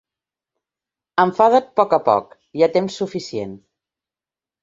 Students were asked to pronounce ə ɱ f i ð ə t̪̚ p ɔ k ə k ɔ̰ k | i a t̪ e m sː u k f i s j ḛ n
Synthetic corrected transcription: ə ɱ f a ð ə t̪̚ p ɔ k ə p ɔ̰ k | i a t̪ e m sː u f i s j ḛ n